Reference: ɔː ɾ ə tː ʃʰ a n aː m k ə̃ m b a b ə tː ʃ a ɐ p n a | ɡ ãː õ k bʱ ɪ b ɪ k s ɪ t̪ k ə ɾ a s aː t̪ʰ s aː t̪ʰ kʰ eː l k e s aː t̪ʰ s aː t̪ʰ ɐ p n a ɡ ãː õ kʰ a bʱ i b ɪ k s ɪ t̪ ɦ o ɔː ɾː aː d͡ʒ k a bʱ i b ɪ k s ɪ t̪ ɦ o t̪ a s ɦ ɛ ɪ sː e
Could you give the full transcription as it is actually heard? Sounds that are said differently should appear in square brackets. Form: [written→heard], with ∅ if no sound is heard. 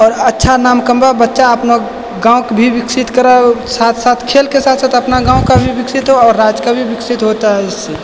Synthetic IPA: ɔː ɾ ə tː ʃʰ a n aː m k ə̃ m b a b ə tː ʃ a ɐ p n a | ɡ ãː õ k bʱ [ɪ→i] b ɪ k s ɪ t̪ k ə ɾ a s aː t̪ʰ s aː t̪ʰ kʰ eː l k e s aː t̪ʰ s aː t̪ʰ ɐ p n a ɡ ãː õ [kʰ→k] a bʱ i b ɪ k s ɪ t̪ ɦ o ɔː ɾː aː d͡ʒ k a bʱ i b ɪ k s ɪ t̪ ɦ o t̪ a [s→∅] ɦ ɛ ɪ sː e